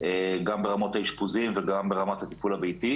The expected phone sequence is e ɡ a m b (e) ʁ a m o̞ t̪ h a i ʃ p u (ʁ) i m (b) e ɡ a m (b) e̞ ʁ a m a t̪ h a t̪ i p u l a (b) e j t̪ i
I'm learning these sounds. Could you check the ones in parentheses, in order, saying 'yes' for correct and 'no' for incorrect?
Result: yes, no, no, yes, yes

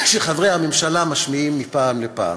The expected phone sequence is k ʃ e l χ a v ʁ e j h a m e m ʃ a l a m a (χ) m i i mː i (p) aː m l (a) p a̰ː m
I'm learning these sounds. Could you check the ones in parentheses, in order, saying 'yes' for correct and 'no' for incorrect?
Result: no, yes, no

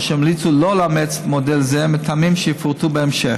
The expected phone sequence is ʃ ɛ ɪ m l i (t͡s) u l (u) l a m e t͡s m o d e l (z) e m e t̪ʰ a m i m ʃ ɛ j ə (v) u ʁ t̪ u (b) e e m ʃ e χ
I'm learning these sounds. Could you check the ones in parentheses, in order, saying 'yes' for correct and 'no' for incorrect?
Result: yes, no, yes, no, yes

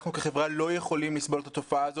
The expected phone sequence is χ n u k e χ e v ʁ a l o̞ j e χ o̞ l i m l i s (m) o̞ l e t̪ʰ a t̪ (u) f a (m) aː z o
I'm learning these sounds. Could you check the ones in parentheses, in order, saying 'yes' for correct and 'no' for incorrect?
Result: no, no, no

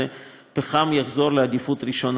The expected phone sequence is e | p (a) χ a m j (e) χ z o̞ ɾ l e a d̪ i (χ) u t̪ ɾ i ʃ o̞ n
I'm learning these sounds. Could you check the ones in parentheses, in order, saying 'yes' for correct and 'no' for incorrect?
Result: no, no, no

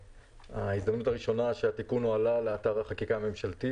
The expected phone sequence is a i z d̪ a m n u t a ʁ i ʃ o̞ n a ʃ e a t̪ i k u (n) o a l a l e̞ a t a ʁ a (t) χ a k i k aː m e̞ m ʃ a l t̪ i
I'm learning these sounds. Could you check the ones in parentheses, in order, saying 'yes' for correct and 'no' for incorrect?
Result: yes, no

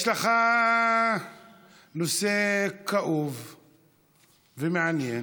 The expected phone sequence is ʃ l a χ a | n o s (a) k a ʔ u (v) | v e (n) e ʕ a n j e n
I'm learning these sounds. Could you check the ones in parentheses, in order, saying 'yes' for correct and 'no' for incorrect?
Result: no, yes, no

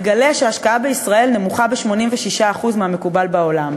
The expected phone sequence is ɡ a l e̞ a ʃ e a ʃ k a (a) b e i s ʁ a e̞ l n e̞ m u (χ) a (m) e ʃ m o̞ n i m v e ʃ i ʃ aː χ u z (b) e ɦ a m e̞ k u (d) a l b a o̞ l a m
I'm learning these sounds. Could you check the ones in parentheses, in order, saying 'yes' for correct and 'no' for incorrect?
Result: yes, yes, no, no, no

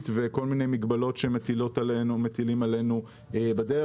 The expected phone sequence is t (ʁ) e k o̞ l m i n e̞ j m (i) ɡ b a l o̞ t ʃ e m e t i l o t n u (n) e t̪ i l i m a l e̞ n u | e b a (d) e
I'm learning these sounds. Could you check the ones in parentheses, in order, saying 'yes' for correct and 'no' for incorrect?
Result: no, yes, no, yes

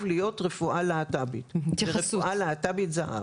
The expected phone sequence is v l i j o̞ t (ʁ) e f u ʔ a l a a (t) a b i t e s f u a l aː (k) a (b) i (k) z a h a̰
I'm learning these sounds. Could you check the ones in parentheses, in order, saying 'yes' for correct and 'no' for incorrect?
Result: yes, yes, no, yes, no

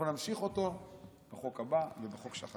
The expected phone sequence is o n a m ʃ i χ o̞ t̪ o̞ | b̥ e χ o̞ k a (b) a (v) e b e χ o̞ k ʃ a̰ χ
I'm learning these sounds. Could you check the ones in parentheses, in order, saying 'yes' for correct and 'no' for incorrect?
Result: yes, yes

